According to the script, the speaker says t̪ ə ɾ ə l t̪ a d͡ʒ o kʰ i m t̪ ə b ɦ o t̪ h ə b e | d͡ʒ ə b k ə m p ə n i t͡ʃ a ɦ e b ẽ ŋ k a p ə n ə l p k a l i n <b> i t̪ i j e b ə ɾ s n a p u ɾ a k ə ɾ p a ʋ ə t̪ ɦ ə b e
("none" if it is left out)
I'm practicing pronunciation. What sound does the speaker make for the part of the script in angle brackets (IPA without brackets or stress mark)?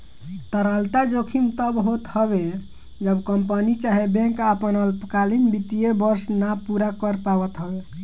b